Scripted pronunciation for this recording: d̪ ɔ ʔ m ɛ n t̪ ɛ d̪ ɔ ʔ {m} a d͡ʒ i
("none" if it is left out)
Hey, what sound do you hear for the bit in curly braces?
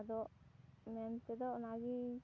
n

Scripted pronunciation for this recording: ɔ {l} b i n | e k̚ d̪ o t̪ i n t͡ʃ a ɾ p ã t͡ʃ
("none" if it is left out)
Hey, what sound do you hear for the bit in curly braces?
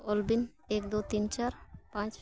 l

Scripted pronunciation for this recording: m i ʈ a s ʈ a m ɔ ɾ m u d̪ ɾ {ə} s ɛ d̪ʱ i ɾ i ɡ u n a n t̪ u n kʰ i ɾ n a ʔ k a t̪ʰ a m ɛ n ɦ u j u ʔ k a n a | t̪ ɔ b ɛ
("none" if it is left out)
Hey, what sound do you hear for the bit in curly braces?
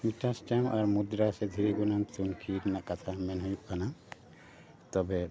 a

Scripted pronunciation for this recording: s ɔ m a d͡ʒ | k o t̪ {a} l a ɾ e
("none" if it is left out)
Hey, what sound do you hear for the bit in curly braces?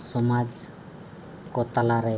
a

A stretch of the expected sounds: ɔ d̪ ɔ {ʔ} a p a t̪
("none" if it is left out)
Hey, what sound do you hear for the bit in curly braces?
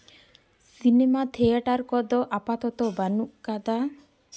ʔ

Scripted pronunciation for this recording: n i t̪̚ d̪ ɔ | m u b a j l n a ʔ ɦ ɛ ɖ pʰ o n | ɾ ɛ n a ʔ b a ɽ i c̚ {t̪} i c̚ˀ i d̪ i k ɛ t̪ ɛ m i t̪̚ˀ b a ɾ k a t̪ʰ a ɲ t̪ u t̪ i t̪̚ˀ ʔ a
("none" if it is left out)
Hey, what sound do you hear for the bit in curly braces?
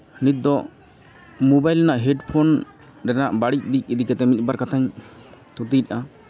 d̪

